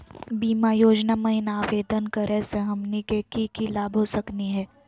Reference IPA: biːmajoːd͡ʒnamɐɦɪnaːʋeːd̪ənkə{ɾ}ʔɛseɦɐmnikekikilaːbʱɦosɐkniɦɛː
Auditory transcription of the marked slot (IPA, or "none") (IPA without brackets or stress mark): ɾ